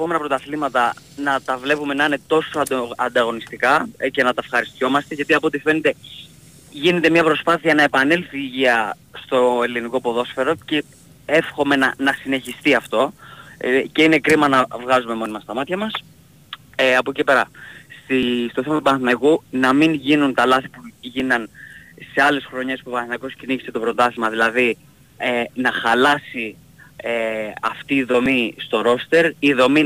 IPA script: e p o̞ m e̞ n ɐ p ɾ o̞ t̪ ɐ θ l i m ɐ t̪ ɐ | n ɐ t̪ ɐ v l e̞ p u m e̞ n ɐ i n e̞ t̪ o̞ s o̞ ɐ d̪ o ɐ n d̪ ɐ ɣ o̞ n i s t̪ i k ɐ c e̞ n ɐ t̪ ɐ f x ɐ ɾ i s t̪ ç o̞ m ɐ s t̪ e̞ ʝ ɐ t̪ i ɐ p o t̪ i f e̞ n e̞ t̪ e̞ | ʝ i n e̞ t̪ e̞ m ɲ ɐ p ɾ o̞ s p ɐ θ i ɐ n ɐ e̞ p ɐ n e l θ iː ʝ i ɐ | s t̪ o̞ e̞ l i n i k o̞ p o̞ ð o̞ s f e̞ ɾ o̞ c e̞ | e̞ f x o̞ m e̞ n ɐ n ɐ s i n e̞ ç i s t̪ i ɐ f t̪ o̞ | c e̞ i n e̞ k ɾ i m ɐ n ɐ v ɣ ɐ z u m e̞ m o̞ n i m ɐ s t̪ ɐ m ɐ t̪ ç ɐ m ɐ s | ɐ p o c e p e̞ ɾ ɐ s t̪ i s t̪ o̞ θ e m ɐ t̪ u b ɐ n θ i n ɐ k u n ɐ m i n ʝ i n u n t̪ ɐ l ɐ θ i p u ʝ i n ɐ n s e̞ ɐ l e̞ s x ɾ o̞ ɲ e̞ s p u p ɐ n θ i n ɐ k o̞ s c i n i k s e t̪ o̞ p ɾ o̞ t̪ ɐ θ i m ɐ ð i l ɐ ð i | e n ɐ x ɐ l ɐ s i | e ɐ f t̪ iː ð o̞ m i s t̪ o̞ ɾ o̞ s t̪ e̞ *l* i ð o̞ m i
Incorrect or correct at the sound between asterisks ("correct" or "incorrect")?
incorrect